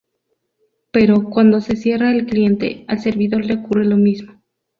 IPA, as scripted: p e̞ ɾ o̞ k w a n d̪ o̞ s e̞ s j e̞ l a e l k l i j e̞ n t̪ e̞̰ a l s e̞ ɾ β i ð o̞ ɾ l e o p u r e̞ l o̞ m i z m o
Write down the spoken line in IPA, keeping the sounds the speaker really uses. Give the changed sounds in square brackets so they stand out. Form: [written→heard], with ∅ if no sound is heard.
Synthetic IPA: p e̞ ɾ o̞ k w a n d̪ o̞ s e̞ s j e̞ [l→r] a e l k l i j e̞ n t̪ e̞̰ a l s e̞ ɾ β i ð o̞ ɾ l e o [p→k] u r e̞ l o̞ m i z m o